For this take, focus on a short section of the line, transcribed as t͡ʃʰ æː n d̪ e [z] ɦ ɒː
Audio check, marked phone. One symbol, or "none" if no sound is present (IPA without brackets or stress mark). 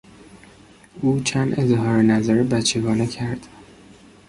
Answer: z